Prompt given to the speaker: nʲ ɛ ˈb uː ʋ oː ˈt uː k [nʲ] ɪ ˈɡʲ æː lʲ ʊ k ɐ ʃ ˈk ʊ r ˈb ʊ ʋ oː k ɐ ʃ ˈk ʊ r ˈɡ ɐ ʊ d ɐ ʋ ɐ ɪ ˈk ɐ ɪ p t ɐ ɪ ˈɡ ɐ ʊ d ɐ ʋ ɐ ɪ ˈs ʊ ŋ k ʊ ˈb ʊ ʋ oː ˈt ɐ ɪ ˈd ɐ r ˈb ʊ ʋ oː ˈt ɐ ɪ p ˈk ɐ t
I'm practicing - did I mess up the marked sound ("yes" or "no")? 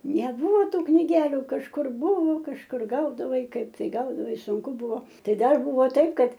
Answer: no